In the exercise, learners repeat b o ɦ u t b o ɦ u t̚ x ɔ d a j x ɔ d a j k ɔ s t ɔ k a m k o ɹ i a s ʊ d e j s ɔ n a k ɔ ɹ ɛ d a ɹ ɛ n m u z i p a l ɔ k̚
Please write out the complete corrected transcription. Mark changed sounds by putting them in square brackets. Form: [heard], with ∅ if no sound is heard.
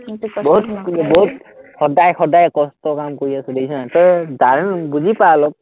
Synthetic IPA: b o ɦ u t b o ɦ u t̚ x ɔ d a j x ɔ d a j k ɔ s t ɔ k a m k o ɹ i a s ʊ d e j s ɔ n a [t] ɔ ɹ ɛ d a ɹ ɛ n [b] u z i p a l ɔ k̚